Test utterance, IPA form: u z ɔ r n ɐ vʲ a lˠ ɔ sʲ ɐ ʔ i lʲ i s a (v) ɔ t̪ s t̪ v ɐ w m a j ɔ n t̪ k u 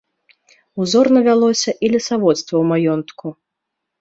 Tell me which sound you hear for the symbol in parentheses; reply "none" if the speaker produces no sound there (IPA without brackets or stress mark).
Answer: v